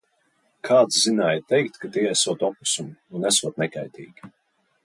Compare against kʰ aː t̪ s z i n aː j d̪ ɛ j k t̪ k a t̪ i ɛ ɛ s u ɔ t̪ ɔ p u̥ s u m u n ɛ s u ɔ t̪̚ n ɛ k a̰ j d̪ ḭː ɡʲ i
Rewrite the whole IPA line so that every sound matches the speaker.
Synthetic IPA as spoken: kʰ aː t̪ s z i n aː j t̪ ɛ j k t̪ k a t̪ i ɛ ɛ s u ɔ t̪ ɔ p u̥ s u m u n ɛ s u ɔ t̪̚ n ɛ k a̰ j t̪ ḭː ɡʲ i